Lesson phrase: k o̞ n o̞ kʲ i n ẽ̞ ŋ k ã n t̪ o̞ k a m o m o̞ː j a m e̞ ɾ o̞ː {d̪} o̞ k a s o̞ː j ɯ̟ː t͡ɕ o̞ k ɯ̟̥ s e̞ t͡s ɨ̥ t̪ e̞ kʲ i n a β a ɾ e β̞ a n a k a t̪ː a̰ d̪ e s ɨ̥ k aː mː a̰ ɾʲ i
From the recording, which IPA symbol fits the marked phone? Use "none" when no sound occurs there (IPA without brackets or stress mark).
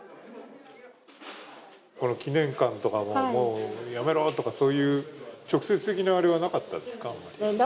t̪